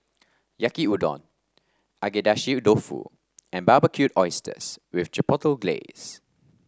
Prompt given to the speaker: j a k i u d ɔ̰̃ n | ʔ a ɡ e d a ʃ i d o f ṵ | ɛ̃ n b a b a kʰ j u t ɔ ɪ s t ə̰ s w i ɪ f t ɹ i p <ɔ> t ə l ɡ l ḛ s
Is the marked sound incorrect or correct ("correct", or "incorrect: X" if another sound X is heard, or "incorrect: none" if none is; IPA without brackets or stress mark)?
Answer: correct